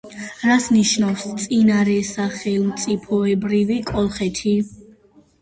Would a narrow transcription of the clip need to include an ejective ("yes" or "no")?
yes